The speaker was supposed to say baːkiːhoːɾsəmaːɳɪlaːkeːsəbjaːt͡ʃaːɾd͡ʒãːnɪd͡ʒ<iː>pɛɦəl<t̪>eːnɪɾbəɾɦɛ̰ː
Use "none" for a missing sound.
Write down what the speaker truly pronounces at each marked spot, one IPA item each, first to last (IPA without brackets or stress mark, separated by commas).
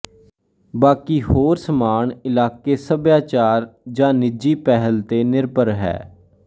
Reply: iː, t̪